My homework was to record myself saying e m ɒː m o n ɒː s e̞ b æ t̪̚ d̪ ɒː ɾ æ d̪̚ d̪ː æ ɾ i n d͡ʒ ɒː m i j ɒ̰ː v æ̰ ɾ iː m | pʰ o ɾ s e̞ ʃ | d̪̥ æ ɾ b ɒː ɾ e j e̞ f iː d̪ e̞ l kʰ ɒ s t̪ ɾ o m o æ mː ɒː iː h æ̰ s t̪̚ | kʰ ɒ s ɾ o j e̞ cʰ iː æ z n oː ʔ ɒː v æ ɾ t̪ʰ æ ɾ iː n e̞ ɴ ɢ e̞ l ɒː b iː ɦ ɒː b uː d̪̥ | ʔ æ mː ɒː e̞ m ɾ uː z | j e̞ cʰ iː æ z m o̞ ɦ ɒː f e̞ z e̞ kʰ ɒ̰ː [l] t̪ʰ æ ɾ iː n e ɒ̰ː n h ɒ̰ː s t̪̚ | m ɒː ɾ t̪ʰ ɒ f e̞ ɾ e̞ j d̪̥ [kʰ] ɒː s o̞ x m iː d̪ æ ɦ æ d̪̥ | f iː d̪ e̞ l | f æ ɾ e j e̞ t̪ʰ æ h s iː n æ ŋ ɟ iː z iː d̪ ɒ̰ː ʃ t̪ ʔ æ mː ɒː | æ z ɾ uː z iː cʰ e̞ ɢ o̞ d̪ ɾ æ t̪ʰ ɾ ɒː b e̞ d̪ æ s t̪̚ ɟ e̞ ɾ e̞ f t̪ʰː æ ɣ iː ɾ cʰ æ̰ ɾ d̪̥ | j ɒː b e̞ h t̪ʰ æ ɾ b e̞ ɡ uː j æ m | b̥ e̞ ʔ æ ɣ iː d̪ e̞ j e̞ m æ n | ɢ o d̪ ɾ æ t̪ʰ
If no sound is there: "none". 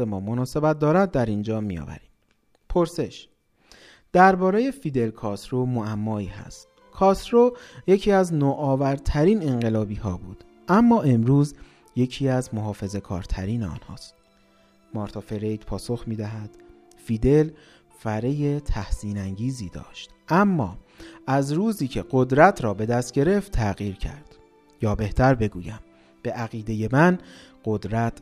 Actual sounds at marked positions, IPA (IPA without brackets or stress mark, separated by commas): ɾ, pʰ